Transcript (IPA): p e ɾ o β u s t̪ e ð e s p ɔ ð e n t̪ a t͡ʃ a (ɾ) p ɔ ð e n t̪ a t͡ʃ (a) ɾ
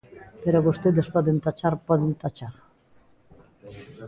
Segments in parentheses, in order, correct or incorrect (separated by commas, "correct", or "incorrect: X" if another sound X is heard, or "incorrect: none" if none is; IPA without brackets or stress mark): correct, correct